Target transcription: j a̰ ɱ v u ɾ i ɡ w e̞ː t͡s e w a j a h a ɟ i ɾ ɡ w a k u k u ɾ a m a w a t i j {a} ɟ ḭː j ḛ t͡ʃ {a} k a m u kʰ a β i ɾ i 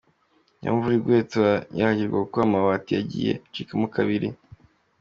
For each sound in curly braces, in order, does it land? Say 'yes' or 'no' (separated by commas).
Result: yes, no